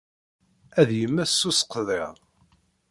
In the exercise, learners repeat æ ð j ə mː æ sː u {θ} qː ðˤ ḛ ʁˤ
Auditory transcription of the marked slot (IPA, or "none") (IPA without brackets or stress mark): s